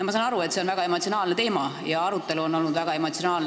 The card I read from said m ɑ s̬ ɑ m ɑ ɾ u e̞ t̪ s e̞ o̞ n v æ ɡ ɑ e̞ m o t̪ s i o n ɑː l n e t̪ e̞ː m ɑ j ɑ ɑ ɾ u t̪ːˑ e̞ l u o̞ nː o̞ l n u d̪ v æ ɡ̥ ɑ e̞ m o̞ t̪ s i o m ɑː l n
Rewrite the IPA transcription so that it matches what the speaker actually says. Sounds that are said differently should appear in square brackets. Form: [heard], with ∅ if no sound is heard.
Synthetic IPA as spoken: m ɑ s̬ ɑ [n] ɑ ɾ u e̞ t̪ s e̞ o̞ n v æ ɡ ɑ e̞ m o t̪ s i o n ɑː l n e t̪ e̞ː m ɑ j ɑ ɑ ɾ u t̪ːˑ e̞ l u o̞ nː o̞ l n u d̪ v æ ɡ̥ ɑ e̞ m o̞ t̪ s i o [n] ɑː l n